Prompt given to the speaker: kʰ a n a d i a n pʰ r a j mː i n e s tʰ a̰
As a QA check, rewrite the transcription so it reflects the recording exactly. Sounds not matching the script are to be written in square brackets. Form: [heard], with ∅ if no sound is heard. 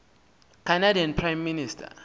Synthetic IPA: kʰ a n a d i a n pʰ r a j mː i n [i] s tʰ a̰

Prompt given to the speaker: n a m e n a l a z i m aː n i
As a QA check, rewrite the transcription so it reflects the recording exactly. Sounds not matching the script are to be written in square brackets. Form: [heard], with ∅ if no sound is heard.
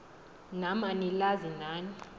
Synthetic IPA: n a m [a] n [i] l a z i [n] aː n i

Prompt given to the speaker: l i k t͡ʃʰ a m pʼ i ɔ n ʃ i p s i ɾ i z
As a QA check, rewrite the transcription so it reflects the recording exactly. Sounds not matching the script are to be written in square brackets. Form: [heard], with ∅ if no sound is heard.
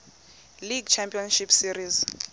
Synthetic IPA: l i [ɡ] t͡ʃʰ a m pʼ i ɔ n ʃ i p s i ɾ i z

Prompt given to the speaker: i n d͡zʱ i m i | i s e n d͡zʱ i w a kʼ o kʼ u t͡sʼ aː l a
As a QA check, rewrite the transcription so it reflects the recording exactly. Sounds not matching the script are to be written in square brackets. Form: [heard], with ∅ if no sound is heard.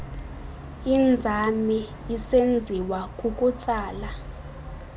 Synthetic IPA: i n d͡zʱ [a] m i | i s e n d͡zʱ i w a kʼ [u] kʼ u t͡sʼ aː l a

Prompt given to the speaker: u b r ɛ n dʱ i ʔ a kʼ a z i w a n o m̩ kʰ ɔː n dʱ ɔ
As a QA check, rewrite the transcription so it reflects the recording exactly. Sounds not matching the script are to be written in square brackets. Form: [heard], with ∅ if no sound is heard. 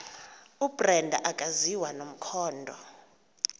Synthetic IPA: u b r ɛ n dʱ [a] ʔ a kʼ a z i w a n o m̩ kʰ ɔː n dʱ ɔ

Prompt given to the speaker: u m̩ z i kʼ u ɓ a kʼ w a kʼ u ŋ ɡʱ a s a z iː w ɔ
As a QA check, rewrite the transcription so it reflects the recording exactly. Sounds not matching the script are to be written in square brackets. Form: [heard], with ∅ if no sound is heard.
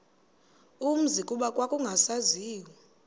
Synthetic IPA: u m̩ z i kʼ u ɓ a kʼ w a kʼ u ŋ ɡʱ a s a z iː w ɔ

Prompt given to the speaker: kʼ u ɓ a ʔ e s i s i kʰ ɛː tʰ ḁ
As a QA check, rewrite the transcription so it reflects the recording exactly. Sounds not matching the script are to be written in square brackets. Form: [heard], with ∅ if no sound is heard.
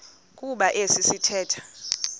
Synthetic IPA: kʼ u ɓ a ʔ e s i s i [tʰ] ɛː tʰ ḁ

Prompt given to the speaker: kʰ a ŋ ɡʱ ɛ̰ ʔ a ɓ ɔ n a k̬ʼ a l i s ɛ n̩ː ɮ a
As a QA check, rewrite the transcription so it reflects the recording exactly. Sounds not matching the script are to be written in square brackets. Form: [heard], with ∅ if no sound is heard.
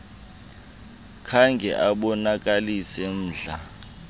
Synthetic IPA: kʰ a ŋ ɡʱ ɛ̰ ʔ a ɓ ɔ n a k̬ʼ a l i s ɛ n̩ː ɮ a

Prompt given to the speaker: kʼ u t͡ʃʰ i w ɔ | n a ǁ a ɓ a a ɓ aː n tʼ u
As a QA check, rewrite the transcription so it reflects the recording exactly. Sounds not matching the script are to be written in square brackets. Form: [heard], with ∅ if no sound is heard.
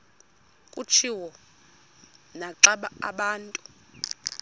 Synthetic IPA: kʼ u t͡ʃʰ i w ɔ | n a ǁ a ɓ a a ɓ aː n tʼ u

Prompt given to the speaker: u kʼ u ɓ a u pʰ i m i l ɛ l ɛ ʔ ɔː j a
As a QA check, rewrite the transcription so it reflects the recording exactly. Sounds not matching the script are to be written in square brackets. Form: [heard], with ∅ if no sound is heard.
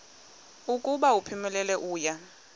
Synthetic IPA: u kʼ u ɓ a u pʰ i m [ɛ] l ɛ l ɛ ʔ [uː] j a

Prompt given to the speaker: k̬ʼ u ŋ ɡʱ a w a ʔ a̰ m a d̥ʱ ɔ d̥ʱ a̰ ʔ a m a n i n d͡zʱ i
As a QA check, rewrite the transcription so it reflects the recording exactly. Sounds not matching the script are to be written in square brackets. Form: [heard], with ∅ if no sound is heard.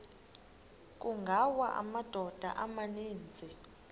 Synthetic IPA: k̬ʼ u ŋ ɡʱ a w a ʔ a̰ m a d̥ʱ ɔ d̥ʱ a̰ ʔ a m a n [iː] n d͡zʱ i

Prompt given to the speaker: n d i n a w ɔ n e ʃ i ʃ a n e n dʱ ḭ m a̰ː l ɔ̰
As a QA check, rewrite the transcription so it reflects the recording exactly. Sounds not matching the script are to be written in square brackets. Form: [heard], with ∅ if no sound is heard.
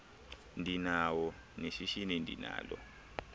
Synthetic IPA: n d i n a w ɔ n e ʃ i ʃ [i] n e n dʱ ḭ [n] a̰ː l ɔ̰

